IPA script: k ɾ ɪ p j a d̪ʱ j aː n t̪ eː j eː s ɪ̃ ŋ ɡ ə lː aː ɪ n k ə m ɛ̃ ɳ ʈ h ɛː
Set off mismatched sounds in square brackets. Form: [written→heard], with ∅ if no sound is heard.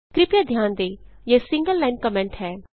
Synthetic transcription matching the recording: k ɾ ɪ p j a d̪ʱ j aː n [t̪→d̪] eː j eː s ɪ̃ ŋ ɡ ə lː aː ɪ n k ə m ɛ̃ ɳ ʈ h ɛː